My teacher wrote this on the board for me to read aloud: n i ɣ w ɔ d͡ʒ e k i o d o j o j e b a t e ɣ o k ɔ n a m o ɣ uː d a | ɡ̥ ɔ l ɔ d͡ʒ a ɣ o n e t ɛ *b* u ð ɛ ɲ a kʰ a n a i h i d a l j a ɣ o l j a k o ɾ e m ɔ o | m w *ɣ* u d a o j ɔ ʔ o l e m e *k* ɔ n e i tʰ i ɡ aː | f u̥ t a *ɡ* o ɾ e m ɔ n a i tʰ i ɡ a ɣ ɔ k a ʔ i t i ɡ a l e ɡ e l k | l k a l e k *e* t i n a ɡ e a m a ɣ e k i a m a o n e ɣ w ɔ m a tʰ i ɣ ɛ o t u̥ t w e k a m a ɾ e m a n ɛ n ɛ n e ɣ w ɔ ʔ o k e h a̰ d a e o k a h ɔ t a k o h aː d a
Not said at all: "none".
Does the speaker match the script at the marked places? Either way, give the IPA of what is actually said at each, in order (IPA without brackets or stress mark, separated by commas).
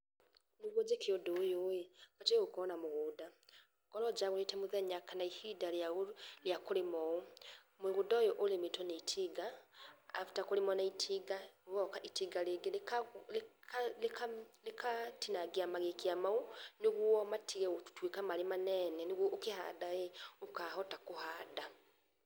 m, ɣ, t, k, a